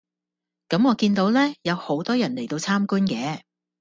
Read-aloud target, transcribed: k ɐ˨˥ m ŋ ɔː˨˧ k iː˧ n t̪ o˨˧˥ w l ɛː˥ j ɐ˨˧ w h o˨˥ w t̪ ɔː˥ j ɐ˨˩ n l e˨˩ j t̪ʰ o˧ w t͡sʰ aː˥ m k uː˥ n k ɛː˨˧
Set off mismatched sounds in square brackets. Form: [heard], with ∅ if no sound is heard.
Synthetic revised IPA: k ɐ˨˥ m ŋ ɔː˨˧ k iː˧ n t̪ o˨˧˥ w l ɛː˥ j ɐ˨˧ w h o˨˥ w t̪ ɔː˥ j ɐ˨˩ n l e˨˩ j [t̪] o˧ w t͡sʰ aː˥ m k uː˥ n k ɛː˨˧